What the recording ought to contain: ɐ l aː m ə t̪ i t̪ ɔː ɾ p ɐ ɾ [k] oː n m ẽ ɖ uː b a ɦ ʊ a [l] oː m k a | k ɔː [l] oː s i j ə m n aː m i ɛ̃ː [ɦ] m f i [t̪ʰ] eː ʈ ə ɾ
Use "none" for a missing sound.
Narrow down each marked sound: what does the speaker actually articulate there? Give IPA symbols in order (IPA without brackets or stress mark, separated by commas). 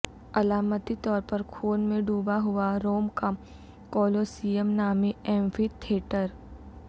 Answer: kʰ, ɾ, l, none, t̪ʰ